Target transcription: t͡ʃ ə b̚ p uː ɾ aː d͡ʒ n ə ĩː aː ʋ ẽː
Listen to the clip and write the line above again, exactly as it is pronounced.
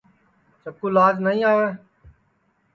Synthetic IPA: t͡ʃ ə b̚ k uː l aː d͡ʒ n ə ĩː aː ʋ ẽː